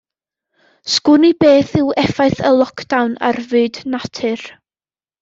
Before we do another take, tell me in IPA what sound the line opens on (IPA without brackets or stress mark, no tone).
s